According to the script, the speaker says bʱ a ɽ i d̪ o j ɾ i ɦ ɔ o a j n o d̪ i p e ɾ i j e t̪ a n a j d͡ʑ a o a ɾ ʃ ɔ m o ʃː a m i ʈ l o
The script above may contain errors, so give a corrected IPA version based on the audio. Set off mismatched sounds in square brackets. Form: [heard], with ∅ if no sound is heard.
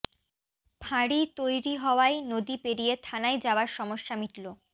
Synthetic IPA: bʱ a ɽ i [t̪] o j ɾ i ɦ ɔ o a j n o d̪ i p e ɾ i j e [t̪ʰ] a n a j d͡ʑ a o a ɾ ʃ ɔ m o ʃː a m i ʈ l o